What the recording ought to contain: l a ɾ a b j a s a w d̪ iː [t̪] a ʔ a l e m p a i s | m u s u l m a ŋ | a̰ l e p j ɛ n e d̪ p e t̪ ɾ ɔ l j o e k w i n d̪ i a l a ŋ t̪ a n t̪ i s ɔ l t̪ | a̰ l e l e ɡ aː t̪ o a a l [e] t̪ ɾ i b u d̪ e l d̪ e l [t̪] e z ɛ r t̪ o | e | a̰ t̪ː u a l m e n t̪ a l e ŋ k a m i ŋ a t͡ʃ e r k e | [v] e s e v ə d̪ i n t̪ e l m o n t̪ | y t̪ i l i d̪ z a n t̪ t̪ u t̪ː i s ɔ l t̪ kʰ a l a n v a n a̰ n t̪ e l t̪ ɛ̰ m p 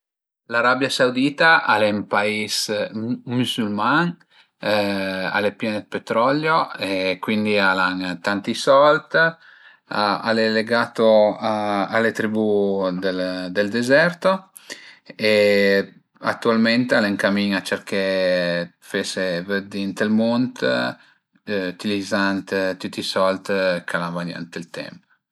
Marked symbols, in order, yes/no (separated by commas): yes, yes, no, no